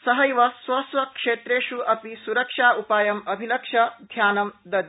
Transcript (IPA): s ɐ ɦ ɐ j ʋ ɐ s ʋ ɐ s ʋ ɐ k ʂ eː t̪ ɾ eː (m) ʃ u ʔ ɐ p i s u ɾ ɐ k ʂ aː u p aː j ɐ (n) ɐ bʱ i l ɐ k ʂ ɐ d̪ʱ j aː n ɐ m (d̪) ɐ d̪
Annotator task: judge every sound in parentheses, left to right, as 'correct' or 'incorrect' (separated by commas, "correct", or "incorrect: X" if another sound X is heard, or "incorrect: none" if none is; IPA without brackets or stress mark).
incorrect: none, incorrect: m, correct